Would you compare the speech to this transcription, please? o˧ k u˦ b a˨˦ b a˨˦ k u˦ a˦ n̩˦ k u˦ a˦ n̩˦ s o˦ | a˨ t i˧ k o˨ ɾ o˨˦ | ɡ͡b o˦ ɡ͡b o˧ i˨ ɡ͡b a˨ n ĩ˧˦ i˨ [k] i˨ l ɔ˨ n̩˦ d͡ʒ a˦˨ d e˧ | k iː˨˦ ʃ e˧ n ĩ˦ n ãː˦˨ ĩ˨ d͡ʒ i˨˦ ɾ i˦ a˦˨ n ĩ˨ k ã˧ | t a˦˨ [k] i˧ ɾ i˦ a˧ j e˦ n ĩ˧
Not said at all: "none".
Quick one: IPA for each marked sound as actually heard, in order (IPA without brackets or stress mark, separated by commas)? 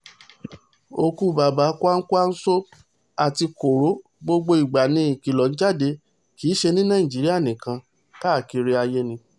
k, k